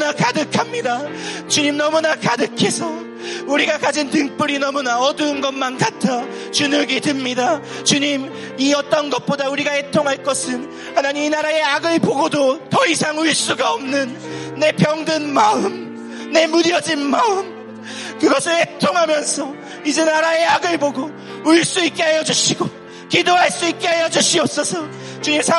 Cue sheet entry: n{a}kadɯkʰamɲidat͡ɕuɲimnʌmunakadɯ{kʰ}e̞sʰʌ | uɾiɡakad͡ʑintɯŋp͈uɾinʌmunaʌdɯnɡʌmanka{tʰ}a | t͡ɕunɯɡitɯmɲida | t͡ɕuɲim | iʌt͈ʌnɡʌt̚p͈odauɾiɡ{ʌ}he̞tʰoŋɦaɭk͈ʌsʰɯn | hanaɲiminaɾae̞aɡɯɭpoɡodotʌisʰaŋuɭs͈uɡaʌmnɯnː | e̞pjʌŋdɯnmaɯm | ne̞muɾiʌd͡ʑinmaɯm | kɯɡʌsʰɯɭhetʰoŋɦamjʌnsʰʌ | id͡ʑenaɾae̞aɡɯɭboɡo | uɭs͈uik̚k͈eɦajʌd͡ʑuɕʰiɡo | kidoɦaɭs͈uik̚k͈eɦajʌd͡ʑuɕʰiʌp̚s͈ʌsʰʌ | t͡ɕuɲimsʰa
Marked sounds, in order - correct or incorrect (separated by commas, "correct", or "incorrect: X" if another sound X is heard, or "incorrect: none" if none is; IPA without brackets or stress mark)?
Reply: correct, correct, correct, incorrect: a